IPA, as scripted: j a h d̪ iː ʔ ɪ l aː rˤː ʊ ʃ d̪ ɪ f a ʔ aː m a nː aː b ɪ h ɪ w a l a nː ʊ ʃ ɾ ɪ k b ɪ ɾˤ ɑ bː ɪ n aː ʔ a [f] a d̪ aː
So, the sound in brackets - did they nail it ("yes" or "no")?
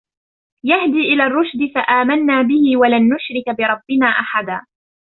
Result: no